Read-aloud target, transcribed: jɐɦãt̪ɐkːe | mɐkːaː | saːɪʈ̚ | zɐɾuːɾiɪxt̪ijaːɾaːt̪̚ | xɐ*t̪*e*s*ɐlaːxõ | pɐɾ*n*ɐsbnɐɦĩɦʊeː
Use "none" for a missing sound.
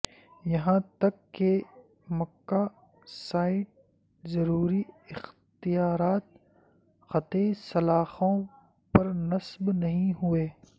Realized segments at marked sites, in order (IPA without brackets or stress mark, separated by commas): t̪, s, n